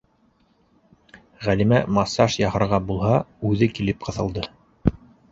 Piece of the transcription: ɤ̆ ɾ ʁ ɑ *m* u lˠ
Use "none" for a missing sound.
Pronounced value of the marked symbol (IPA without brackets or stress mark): b